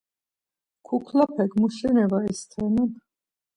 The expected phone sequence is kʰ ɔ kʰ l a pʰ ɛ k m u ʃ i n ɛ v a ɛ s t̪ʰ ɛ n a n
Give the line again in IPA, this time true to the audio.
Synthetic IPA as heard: kʰ u kʰ l a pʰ ɛ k m u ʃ ɛ n ɛ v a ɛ s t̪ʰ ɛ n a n